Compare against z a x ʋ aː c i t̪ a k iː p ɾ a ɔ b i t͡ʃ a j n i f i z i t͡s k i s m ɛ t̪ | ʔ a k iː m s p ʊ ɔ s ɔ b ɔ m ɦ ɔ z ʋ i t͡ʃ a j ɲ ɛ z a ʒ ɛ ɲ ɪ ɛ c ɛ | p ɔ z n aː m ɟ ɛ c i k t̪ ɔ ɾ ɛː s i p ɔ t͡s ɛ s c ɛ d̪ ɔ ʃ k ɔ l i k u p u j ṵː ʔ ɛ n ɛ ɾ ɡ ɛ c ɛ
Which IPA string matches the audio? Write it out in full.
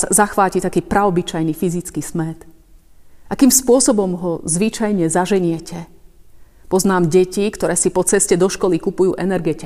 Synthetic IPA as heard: z a x ʋ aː c i t̪ a k iː p ɾ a ɔ b i t͡ʃ a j n i f i z i t͡s k i s m ɛ t̪ | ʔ a k iː m s p ʊ ɔ s ɔ b ɔ m ɦ ɔ z ʋ i t͡ʃ a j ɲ ɛ z a ʒ ɛ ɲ ɪ ɛ c ɛ | p ɔ z n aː m ɟ ɛ c i k t̪ ɔ ɾ ɛː s i p ɔ t͡s ɛ s c ɛ d̪ ɔ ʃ k ɔ l i k u p u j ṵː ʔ ɛ n ɛ ɾ ɡ ɛ c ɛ